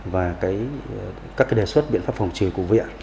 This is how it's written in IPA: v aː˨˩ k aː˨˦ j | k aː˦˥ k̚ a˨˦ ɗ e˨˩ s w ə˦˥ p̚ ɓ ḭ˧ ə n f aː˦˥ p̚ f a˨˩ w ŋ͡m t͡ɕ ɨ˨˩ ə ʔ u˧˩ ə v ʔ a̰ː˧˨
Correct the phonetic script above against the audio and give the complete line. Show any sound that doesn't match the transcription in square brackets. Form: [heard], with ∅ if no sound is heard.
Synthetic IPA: v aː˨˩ k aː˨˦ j | k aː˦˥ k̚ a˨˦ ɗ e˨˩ s w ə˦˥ [t̚] ɓ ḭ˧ ə n f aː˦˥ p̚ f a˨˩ w ŋ͡m t͡ɕ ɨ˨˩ ə [k] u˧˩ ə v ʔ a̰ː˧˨